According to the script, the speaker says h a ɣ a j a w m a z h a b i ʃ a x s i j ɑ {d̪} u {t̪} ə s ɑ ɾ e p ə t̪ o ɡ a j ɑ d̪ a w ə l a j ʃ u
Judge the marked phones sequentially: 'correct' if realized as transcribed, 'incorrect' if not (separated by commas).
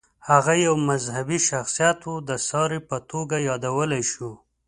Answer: incorrect, incorrect